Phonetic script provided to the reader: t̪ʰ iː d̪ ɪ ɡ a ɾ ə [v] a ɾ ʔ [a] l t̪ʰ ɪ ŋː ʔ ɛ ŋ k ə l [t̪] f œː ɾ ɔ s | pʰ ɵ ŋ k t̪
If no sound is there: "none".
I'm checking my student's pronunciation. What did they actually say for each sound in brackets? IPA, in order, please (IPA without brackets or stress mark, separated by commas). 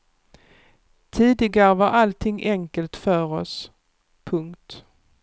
v, a, t̪